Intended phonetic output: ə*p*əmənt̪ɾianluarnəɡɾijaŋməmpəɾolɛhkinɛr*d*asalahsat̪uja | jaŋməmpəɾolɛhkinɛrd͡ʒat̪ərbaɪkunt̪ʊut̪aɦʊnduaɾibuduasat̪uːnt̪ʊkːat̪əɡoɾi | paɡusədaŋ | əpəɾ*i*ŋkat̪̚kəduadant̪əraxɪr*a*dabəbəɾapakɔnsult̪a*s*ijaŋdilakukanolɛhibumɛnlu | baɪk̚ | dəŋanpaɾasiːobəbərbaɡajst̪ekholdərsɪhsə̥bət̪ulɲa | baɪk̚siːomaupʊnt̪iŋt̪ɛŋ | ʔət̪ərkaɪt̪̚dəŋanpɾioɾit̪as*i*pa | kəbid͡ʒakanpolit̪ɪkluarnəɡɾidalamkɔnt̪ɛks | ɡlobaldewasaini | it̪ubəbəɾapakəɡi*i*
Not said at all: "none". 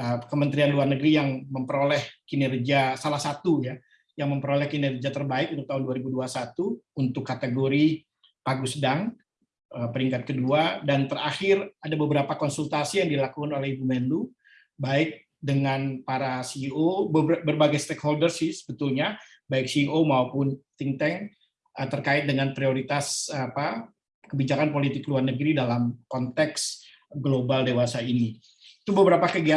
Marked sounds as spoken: k, d͡ʒ, i, a, s, a, a

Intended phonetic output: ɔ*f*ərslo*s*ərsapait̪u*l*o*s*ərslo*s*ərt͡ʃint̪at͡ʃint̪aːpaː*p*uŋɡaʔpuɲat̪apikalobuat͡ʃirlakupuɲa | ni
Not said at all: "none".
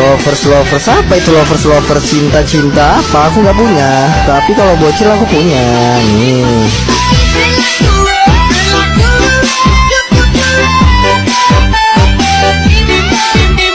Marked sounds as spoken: f, f, l, f, f, k

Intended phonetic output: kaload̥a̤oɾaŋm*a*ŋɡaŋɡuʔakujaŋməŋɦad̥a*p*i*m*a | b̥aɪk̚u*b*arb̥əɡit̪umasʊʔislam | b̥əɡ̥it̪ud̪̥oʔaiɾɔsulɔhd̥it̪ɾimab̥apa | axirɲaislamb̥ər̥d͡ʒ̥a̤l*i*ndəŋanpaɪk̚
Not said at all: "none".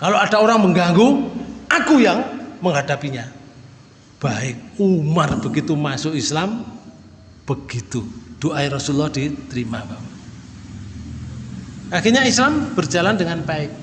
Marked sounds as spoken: ə, p, ɲ, m, a

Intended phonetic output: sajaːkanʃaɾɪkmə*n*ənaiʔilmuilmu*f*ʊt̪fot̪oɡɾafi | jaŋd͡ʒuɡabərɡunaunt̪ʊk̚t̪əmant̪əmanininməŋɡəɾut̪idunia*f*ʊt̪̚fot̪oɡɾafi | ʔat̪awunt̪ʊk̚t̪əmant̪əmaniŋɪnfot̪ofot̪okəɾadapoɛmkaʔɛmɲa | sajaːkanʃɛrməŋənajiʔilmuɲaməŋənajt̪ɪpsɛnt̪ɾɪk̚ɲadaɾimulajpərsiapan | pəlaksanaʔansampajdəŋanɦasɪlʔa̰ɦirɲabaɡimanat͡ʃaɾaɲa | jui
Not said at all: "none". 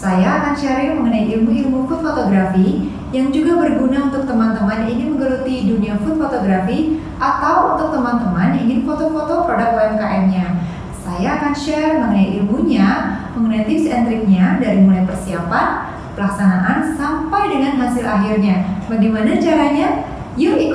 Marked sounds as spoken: ŋ, f, f

